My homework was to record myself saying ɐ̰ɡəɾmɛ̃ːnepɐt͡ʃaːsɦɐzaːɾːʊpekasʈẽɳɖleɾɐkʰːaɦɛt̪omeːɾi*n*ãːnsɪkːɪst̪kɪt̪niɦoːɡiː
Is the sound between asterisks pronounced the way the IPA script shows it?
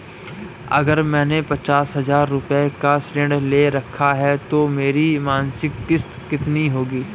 no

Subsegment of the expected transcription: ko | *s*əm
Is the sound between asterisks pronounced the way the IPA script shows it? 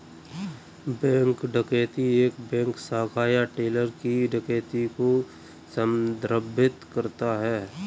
yes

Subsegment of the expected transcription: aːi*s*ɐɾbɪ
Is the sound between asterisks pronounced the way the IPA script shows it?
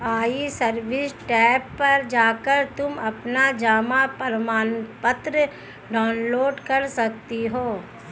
yes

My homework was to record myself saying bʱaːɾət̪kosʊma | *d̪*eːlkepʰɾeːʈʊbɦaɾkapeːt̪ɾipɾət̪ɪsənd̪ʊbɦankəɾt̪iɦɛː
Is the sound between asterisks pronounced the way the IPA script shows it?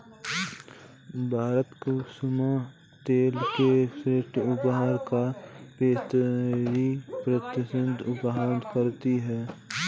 no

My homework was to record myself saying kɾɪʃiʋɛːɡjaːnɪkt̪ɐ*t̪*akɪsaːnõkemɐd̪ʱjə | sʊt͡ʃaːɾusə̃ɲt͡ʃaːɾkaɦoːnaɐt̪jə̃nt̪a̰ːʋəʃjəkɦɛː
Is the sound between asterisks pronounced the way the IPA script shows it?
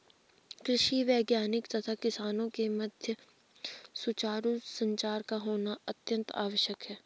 no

